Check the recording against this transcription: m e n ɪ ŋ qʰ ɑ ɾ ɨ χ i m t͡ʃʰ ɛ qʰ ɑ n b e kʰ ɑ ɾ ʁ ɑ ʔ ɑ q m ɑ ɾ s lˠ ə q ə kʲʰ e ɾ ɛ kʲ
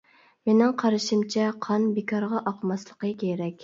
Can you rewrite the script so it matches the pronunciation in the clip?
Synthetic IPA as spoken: m e n ɪ ŋ qʰ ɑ ɾ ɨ ʃ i m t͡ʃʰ ɛ qʰ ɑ n b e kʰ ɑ ɾ ʁ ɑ ʔ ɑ q m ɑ s lˠ ə q ə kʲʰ e ɾ ɛ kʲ